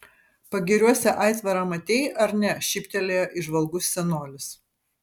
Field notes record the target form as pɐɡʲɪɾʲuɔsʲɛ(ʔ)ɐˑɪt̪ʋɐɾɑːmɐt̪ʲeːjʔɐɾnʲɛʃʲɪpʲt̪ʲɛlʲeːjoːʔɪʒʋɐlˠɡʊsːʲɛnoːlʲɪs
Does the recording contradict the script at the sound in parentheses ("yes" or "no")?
no